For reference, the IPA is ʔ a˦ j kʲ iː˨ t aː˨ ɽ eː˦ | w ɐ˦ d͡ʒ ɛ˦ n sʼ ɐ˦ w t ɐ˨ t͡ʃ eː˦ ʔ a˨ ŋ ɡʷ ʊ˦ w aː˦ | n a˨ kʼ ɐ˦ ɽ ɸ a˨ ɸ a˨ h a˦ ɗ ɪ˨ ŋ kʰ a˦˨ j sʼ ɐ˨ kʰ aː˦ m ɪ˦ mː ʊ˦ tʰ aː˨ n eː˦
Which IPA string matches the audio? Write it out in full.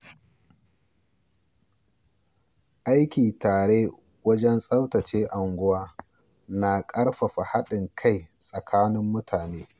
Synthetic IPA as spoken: ʔ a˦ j kʲ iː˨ t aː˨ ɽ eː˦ | w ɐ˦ d͡ʒ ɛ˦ n sʼ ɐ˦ w t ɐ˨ t͡ʃ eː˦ ʔ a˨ ŋ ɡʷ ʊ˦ w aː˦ | n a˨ kʼ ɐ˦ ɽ ɸ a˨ ɸ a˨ h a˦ ɗ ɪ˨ ŋ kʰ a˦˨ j sʼ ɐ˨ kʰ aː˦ n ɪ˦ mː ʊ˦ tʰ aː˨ n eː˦

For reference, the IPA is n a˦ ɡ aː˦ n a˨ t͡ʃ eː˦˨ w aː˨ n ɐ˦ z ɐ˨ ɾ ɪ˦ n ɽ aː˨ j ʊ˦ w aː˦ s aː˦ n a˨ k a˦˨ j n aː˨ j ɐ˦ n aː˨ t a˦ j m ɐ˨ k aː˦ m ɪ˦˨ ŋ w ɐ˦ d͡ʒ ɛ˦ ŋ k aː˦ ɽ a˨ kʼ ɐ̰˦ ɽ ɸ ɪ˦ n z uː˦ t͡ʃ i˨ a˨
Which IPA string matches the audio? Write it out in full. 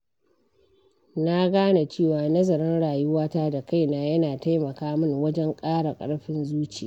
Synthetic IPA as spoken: n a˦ ɡ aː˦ n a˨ t͡ʃ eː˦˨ w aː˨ n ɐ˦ z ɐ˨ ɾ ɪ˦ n ɽ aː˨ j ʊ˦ w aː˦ t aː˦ d a˨ k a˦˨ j n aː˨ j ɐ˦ n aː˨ t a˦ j m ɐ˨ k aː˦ m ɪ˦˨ ŋ w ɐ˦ d͡ʒ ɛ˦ ŋ kʼ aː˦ ɽ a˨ kʼ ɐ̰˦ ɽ ɸ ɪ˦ n z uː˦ t͡ʃ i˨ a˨

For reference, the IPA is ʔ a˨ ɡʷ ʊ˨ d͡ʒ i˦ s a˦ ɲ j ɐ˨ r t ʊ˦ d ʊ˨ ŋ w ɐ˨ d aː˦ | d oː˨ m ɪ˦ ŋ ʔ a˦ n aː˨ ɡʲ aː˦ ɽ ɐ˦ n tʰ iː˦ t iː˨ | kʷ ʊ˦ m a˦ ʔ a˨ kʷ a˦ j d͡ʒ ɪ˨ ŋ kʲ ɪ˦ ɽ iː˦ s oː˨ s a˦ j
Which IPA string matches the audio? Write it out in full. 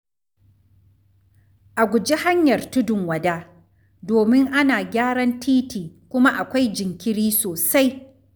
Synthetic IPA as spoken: ʔ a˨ ɡʷ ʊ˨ d͡ʒ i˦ h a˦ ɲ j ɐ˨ r t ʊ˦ d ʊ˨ ŋ w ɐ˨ d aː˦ | d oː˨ m ɪ˦ ŋ ʔ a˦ n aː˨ ɡʲ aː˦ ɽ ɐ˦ n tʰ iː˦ t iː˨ | kʷ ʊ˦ m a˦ ʔ a˨ kʷ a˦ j d͡ʒ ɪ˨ ŋ kʲ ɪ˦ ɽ iː˦ s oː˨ s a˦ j

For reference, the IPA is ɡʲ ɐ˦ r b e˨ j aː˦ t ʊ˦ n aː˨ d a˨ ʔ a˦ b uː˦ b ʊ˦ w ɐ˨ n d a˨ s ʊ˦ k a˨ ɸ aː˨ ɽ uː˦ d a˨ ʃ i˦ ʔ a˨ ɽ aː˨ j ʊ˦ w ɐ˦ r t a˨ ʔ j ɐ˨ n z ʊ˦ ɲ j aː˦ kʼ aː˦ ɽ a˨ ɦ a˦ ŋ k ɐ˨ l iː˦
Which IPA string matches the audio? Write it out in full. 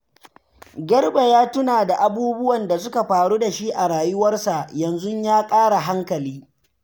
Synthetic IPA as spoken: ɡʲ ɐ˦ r b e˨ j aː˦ t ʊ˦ n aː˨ d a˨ ʔ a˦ b uː˦ b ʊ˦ w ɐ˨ n d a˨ s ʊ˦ k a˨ ɸ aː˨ ɽ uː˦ d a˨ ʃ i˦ ʔ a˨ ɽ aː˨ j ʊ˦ w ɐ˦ r s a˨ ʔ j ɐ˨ n z ʊ˦ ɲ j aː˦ kʼ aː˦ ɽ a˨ ɦ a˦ ŋ k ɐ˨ l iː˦

